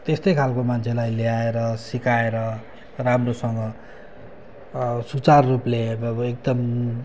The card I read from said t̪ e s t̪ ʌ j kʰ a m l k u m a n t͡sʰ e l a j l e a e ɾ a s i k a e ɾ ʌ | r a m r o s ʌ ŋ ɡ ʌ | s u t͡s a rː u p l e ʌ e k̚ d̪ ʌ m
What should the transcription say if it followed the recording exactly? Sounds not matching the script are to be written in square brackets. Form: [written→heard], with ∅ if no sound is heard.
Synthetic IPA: t̪ e s t̪ ʌ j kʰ a [m→∅] l k [u→o] m a n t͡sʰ e l a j l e a e ɾ [a→ʌ] s i k a e ɾ ʌ | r a m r o s ʌ ŋ ɡ ʌ | s u t͡s a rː u p l e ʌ e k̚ d̪ ʌ m